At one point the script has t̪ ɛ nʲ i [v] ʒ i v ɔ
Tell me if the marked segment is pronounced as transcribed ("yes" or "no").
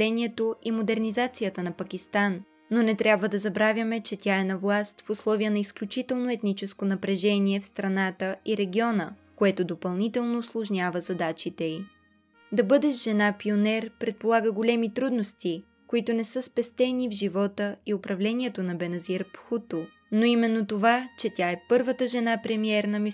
yes